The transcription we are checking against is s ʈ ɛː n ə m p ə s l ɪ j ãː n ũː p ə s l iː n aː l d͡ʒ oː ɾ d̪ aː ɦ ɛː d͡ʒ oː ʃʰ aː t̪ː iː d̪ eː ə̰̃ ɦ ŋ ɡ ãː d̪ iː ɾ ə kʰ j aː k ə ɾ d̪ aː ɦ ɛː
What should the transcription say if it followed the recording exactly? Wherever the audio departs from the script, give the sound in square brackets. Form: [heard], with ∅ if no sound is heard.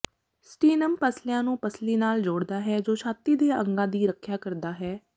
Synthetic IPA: s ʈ [iː] n ə m p ə s l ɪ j ãː n ũː p ə s l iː n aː l d͡ʒ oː [ɽ] d̪ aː ɦ ɛː d͡ʒ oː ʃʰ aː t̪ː iː d̪ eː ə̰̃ [∅] ŋ ɡ ãː d̪ iː ɾ ə kʰ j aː k ə ɾ d̪ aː ɦ ɛː